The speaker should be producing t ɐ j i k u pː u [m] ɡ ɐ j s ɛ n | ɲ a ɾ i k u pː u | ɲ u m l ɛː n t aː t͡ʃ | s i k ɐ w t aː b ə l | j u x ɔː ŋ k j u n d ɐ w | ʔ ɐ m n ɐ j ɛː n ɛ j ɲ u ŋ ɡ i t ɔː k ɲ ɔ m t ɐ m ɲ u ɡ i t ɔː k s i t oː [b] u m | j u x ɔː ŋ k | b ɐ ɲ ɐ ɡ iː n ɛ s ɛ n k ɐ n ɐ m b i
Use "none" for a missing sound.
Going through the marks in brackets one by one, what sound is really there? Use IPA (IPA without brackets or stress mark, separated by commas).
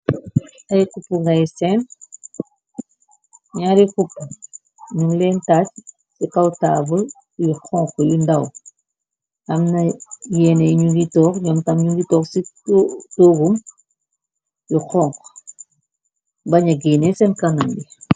ŋ, ɡ